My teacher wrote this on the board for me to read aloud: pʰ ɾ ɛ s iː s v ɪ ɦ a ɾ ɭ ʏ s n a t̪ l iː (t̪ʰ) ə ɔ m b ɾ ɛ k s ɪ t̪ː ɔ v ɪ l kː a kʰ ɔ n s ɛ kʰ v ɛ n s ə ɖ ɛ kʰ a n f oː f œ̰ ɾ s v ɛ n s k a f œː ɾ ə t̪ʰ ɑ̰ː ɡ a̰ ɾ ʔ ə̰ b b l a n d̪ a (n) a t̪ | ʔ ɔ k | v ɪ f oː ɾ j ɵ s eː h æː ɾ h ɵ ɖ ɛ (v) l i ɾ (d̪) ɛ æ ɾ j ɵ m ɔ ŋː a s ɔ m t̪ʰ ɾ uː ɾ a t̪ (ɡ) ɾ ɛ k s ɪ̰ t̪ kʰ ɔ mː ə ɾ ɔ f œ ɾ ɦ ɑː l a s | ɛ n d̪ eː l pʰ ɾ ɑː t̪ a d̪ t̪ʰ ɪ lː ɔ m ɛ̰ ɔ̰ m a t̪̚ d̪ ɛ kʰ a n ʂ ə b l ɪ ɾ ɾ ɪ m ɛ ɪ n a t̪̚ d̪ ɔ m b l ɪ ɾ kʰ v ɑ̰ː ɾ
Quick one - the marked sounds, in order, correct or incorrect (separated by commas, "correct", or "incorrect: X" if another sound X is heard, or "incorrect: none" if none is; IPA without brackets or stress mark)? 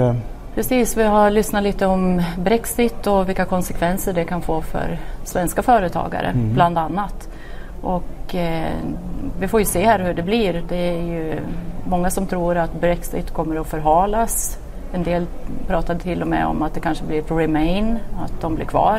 incorrect: t̪, incorrect: nː, incorrect: b, correct, incorrect: b